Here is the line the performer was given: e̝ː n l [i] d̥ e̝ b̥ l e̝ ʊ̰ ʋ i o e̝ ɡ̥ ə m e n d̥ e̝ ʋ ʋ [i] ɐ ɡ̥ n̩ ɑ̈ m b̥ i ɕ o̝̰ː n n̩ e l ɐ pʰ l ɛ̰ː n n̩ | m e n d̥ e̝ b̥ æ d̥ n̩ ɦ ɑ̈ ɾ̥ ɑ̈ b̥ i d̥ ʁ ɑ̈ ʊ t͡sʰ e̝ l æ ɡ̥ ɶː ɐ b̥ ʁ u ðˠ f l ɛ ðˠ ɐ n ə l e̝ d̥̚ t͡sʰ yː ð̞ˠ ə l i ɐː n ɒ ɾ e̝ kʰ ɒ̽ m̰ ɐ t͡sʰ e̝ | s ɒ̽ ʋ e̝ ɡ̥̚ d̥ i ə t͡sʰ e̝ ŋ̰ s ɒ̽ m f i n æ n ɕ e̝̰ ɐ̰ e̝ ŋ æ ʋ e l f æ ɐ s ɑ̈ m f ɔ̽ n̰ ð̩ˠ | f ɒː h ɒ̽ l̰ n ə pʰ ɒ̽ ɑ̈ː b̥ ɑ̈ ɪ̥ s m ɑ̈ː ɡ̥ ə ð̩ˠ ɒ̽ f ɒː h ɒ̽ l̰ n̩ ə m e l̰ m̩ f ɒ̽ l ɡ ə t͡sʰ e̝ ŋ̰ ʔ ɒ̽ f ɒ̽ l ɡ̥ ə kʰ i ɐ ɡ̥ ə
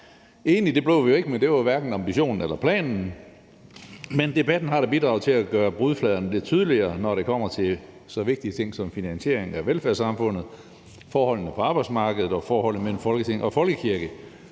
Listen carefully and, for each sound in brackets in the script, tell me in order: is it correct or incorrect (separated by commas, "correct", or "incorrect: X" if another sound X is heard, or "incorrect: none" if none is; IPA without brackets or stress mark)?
correct, incorrect: æ